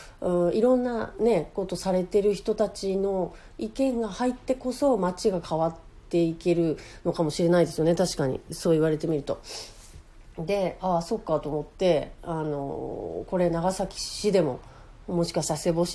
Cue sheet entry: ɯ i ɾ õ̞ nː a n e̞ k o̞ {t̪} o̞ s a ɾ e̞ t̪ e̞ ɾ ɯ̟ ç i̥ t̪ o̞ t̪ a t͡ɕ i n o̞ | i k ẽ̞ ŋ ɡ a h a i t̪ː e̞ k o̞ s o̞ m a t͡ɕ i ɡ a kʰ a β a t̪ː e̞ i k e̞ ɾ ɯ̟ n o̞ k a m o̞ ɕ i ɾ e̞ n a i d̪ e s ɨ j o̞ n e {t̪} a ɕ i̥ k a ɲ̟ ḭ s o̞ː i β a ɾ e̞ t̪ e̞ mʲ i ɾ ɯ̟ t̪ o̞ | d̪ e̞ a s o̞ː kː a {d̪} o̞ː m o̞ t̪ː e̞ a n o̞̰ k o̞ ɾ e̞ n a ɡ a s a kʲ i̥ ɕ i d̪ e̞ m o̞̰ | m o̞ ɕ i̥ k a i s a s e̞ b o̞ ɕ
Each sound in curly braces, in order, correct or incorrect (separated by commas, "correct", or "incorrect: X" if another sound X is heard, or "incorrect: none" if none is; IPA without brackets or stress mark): correct, correct, incorrect: t̪